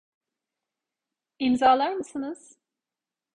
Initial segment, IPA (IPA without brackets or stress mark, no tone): i